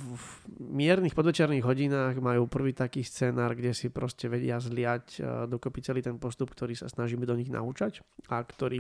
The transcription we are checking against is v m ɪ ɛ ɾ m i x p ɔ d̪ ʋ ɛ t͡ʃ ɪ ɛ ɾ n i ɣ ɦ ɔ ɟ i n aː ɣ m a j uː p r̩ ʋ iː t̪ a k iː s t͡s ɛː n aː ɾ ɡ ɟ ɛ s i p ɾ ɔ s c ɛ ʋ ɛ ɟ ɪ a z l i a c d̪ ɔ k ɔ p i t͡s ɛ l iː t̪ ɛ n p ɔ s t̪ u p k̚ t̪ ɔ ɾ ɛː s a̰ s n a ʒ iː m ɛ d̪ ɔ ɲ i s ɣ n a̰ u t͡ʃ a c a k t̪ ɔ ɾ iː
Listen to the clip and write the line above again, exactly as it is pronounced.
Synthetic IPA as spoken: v m ɪ ɛ ɾ n i x p ɔ d̪ ʋ ɛ t͡ʃ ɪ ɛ ɾ n i ɣ ɦ ɔ ɟ i n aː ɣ m a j uː p r̩ ʋ iː t̪ a k iː s t͡s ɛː n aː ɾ ɡ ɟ ɛ s i p ɾ ɔ s c ɛ ʋ ɛ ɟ ɪ a z l ɪ a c d̪ ɔ k ɔ p i t͡s ɛ l iː t̪ ɛ n p ɔ s t̪ u p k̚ t̪ ɔ ɾ iː s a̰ s n a ʒ iː m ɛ d̪ ɔ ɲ i ɣ n a̰ u t͡ʃ a c a k t̪ ɔ ɾ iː